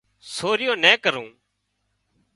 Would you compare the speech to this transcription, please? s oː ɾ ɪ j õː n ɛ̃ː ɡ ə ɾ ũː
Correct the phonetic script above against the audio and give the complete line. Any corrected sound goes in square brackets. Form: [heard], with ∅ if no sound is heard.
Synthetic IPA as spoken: s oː ɾ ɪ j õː n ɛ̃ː [k] ə ɾ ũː